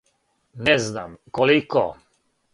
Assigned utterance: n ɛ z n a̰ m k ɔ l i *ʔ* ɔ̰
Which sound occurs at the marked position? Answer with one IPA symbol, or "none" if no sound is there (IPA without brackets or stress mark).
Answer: k